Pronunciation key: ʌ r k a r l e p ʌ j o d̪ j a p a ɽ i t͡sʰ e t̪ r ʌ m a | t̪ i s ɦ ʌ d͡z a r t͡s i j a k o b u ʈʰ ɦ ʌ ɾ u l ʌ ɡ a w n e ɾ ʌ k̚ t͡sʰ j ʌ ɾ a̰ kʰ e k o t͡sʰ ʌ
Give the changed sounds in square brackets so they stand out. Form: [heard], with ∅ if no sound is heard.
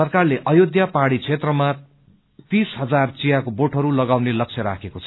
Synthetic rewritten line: ʌ r k a r l e [ʔ] ʌ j o d̪ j a p a ɽ i t͡sʰ e t̪ r ʌ m a | t̪ i s ɦ ʌ d͡z a r t͡s i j a k o b [o] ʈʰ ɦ ʌ ɾ u l ʌ ɡ a w n e [l] ʌ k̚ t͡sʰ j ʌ ɾ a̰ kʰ e k o t͡sʰ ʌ